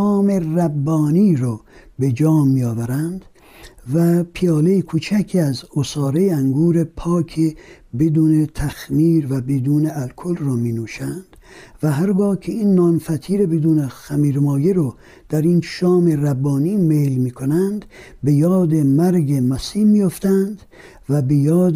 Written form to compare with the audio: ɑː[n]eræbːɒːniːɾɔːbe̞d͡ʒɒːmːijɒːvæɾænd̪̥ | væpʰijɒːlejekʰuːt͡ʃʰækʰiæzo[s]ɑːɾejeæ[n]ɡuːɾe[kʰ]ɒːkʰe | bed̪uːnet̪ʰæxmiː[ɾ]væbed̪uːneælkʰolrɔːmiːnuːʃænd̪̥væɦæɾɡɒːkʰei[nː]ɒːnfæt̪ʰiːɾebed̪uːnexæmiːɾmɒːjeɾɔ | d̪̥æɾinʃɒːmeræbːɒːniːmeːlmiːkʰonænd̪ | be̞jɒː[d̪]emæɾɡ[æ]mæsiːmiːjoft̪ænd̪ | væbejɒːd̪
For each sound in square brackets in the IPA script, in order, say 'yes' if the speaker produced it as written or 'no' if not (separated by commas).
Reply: no, yes, no, no, yes, yes, yes, no